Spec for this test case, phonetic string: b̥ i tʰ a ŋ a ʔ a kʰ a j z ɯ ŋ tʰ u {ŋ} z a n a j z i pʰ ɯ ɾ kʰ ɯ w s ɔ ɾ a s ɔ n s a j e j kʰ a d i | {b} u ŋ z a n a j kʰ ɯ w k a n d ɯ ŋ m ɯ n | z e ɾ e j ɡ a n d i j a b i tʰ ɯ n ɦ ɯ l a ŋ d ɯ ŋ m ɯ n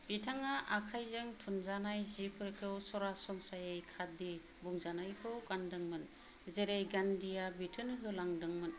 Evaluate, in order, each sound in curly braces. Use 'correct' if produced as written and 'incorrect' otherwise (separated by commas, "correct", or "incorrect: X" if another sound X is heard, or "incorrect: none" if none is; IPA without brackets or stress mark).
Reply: incorrect: n, correct